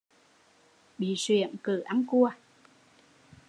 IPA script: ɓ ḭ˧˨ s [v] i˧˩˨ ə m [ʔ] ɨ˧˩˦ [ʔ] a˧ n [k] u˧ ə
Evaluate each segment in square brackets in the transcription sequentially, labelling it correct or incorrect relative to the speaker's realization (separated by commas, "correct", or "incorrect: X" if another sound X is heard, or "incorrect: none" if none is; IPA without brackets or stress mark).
incorrect: w, incorrect: k, correct, correct